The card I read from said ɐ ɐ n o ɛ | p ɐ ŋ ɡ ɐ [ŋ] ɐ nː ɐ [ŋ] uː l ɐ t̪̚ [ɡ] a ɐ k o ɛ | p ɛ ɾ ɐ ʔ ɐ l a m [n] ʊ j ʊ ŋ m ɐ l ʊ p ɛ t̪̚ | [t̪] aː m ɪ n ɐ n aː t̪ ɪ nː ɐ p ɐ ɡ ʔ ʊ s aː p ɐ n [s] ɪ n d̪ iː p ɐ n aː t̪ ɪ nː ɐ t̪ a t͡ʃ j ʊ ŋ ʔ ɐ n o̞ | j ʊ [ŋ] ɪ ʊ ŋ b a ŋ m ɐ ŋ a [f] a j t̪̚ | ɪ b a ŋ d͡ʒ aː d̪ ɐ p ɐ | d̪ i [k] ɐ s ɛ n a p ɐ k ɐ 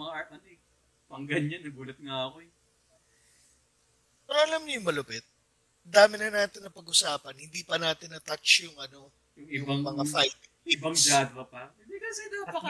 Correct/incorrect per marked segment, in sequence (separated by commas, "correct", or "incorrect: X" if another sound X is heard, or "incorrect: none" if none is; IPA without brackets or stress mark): incorrect: ɲ, incorrect: ɡ, incorrect: ŋ, incorrect: ɲ, incorrect: d̪, incorrect: h, correct, correct, correct